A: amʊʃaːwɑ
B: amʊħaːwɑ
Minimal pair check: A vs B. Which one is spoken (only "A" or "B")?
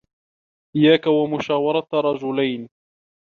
A